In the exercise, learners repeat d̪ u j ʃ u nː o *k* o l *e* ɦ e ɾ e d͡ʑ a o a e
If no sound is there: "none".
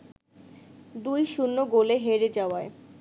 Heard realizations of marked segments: ɡ, e

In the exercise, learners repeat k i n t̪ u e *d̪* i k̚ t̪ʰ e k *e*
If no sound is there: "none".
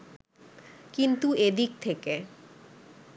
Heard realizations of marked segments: d̪, e

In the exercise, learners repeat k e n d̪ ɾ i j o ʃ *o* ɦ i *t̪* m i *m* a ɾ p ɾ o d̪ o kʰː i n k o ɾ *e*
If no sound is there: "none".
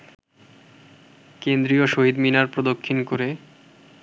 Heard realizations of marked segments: o, d̪, n, e

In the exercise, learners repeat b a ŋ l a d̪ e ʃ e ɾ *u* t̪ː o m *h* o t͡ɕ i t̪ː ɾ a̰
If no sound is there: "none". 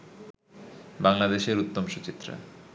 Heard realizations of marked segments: u, ʃ

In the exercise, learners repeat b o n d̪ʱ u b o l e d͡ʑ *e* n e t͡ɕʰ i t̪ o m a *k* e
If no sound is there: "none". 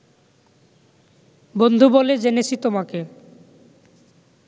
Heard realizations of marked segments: e, k

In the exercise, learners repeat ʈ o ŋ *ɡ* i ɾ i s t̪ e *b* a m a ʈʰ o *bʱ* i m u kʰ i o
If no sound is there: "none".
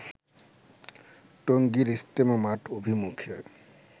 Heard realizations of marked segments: ɡ, m, bʱ

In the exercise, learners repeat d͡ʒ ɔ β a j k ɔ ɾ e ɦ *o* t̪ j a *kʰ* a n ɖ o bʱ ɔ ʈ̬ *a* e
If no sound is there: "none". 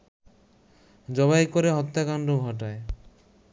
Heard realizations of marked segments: ɔ, k, a

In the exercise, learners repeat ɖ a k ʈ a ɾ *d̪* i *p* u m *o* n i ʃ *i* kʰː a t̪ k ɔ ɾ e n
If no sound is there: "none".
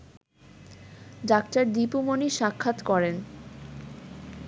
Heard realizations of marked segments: d̪, p, o, a

